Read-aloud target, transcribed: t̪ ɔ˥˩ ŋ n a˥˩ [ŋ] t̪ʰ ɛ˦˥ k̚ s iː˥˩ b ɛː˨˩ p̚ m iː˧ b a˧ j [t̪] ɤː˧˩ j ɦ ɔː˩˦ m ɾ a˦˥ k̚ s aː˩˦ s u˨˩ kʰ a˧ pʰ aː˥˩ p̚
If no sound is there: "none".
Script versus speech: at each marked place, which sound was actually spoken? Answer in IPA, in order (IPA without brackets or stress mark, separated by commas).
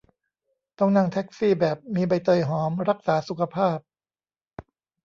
ŋ, t̪